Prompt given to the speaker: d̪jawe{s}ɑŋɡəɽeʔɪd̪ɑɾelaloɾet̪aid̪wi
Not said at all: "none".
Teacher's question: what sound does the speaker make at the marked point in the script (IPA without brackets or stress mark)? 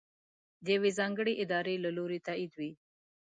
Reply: z